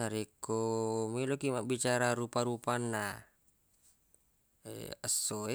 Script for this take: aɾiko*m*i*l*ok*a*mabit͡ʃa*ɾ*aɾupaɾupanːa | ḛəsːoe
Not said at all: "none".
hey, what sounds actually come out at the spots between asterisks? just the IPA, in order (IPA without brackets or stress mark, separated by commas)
m, l, i, ɾ